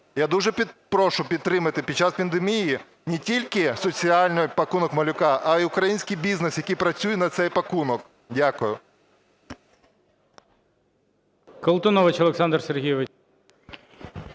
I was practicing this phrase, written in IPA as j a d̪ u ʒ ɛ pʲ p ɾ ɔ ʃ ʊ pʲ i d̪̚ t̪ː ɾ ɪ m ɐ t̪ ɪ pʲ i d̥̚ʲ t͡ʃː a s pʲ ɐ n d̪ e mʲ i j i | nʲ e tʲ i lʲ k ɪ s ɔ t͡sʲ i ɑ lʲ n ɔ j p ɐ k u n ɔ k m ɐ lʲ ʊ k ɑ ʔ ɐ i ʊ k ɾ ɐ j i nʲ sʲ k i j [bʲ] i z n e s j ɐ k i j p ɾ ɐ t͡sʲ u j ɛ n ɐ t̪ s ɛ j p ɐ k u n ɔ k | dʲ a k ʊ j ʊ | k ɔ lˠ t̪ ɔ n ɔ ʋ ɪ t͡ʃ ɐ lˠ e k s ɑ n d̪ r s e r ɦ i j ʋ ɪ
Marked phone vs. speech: correct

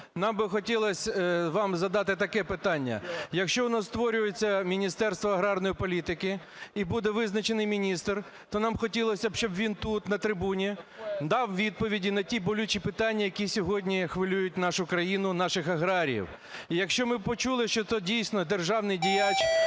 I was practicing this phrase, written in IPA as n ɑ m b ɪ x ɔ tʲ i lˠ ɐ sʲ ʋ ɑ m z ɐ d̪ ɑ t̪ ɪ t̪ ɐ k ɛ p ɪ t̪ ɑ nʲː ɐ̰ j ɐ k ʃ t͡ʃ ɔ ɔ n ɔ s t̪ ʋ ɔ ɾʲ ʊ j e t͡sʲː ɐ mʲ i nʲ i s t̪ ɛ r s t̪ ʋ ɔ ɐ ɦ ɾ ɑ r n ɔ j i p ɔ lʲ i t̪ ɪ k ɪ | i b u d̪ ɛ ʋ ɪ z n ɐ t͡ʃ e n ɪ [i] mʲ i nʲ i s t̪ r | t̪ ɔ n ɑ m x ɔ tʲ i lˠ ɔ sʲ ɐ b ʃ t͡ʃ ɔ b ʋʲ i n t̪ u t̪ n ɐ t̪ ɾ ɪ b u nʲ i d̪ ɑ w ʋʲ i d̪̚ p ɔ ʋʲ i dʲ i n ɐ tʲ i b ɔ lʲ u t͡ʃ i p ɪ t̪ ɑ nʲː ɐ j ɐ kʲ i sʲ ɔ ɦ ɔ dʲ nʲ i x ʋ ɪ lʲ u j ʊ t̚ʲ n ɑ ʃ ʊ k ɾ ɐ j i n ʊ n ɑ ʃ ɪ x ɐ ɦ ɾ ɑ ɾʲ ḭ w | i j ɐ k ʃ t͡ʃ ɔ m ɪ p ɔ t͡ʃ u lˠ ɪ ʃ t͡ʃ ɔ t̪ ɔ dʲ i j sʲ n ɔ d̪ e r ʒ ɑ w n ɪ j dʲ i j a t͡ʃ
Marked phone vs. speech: incorrect: j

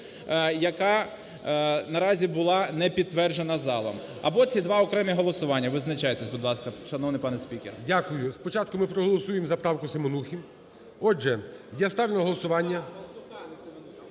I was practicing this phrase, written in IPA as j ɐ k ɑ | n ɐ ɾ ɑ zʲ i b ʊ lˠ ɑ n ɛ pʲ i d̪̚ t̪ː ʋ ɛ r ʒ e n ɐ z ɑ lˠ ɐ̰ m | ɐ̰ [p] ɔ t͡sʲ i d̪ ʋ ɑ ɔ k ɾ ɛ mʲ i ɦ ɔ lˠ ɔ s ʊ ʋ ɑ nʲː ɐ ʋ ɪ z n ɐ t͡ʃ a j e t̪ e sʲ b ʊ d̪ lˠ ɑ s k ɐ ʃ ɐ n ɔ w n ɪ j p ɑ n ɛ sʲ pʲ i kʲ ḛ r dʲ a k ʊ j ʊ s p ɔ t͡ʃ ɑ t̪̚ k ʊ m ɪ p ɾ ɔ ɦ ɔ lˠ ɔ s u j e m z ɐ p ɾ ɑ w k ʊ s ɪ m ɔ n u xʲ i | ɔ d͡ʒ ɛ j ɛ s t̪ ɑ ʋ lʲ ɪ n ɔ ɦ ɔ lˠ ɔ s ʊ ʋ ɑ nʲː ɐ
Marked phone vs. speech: incorrect: b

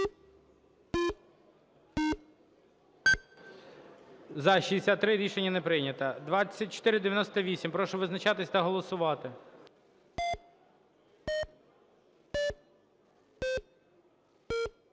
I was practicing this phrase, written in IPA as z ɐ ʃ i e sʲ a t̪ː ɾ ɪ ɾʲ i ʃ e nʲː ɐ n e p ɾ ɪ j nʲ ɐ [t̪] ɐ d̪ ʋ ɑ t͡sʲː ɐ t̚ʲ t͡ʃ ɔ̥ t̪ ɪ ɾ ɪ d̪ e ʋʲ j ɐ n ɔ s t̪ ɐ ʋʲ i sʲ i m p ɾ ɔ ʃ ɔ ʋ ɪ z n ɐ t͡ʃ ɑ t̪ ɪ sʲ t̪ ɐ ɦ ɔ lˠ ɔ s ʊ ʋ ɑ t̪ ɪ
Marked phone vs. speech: correct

